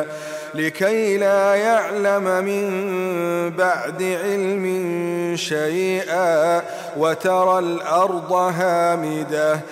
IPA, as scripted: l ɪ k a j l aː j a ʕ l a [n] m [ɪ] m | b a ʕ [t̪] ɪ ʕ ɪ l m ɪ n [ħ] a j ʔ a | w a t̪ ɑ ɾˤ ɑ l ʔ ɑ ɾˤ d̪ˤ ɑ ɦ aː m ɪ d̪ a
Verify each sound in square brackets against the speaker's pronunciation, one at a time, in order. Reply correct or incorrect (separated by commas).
incorrect, correct, incorrect, incorrect